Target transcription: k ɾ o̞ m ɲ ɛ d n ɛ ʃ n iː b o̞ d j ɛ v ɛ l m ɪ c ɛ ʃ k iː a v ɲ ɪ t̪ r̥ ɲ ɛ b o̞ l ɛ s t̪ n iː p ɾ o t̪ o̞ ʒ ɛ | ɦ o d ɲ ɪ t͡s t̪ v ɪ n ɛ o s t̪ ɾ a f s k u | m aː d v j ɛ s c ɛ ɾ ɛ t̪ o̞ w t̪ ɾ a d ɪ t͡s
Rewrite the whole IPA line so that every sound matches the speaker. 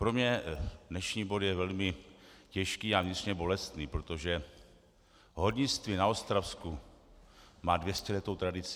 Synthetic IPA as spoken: p ɾ o̞ m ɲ ɛ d n ɛ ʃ ɲ iː b o̞ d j ɛ v ɛ l m ɪ c ɛ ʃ k iː a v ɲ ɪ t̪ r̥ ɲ ɛ b o̞ l ɛ s t̪ n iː p ɾ o t̪ o̞ ʒ ɛ | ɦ o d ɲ ɪ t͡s t̪ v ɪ n a o s t̪ ɾ a f s k u | m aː d v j ɛ s c ɛ l ɛ t̪ o̞ w t̪ ɾ a d ɪ t͡s